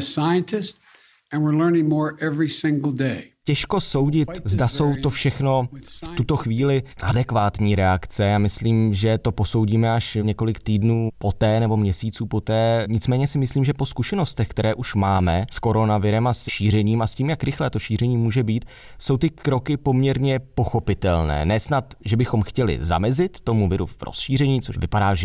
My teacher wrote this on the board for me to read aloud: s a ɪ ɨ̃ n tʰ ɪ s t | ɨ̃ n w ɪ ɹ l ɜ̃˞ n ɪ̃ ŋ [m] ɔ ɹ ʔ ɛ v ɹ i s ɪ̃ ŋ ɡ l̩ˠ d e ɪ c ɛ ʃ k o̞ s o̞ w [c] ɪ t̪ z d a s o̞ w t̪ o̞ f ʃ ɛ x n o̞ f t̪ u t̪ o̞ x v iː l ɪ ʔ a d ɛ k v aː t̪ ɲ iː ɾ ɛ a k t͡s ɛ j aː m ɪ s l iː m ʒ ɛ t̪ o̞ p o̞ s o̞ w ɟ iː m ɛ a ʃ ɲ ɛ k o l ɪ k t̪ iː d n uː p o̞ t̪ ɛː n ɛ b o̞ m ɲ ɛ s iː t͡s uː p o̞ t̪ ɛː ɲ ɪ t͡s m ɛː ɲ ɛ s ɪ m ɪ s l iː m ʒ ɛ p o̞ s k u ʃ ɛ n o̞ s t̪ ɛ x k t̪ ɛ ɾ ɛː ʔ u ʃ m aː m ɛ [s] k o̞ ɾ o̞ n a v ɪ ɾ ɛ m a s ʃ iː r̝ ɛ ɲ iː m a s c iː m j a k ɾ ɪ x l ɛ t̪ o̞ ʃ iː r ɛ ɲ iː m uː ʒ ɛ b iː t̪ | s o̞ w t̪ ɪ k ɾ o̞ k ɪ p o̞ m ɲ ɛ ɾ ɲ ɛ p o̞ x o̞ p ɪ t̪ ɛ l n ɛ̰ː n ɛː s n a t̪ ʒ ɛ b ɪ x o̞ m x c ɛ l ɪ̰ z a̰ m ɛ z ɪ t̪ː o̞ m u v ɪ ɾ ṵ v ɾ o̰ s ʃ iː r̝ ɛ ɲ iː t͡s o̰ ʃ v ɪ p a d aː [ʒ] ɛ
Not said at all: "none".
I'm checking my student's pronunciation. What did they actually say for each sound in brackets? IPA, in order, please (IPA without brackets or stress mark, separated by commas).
m, ɟ, s, ʒ